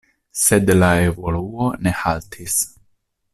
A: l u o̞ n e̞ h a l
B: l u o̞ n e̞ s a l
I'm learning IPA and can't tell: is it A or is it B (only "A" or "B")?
A